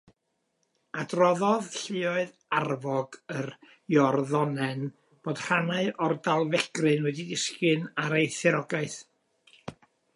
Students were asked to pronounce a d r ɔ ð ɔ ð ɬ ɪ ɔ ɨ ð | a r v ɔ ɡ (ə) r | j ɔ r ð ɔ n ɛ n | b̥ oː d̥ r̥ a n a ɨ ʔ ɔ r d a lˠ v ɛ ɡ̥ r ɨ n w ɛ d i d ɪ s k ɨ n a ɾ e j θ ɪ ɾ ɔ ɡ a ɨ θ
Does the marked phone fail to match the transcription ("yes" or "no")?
no